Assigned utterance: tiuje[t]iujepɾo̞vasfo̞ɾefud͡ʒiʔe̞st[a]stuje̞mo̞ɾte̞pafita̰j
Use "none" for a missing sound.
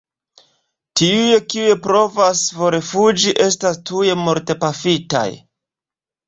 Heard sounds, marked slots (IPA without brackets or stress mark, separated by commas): k, a